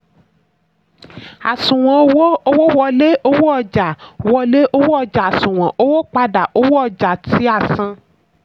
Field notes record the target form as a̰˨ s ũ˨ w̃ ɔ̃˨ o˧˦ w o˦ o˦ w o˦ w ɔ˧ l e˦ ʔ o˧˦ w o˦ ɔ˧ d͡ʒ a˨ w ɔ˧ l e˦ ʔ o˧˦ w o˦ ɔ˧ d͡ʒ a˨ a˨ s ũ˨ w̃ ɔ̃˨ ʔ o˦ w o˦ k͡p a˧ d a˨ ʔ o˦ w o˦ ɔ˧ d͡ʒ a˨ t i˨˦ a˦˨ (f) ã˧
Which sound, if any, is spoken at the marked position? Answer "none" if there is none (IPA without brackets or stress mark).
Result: s